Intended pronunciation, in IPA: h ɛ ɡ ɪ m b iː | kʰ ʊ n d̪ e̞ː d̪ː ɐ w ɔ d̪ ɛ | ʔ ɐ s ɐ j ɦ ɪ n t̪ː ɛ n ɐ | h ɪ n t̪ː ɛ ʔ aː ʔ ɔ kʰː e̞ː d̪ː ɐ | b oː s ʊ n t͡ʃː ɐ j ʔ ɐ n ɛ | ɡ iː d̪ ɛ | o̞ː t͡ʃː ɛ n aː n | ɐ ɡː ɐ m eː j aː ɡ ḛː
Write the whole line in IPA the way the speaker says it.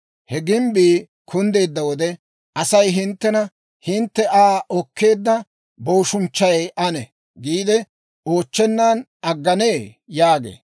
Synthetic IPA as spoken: h ɛ ɡ ɪ m b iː | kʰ ʊ n d̪ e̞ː d̪ː ɐ w ɔ d̪ ɛ | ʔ ɐ s ɐ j ɦ ɪ n t̪ː ɛ n ɐ | h ɪ n t̪ː ɛ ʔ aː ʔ ɔ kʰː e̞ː d̪ː ɐ | b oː ʃ ʊ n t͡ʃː ɐ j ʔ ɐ n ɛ | ɡ iː d̪ ɛ | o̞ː t͡ʃː ɛ nː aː n | ɐ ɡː ɐ n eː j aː ɡ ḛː